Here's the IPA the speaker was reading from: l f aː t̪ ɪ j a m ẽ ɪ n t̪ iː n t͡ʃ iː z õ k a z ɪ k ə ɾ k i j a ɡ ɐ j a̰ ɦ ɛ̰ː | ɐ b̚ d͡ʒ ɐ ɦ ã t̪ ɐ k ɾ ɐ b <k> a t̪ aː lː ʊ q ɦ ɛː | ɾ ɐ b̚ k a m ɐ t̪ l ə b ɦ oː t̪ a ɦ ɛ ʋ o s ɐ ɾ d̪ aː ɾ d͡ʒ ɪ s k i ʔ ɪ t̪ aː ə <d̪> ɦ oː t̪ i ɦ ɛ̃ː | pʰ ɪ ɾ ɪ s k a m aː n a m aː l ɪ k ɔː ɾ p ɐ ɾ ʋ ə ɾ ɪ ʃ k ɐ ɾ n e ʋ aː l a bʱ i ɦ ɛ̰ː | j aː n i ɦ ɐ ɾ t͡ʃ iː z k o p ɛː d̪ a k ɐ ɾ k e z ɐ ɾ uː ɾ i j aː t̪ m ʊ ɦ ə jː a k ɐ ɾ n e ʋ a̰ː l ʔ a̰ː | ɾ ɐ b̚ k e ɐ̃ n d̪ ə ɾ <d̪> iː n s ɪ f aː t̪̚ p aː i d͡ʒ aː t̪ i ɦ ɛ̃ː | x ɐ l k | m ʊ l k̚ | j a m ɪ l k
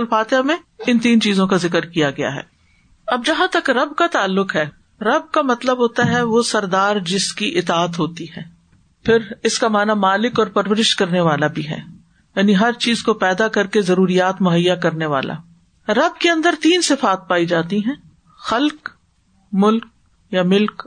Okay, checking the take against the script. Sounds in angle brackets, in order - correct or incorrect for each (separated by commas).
correct, incorrect, incorrect